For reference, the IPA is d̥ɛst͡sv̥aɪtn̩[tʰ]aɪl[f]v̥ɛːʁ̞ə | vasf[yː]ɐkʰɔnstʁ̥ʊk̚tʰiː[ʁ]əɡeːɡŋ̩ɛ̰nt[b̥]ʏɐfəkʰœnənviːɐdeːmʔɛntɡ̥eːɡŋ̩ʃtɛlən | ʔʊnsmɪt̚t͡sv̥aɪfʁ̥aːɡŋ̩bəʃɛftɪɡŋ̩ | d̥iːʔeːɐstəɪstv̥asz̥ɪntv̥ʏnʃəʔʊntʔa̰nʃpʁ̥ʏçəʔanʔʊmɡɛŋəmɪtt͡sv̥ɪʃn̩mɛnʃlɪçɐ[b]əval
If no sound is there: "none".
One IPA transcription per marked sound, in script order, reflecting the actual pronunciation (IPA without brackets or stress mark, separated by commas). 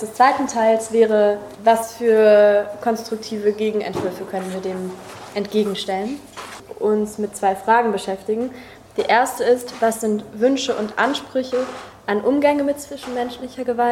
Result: tʰ, s, yː, v, v̥, ɡ